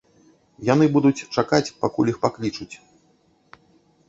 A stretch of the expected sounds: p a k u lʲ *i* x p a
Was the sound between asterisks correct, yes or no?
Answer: yes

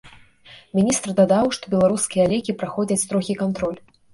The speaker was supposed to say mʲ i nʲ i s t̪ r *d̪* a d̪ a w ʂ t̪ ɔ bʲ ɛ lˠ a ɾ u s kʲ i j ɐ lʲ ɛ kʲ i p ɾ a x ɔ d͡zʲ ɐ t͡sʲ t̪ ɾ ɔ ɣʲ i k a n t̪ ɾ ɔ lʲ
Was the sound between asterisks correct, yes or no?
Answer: yes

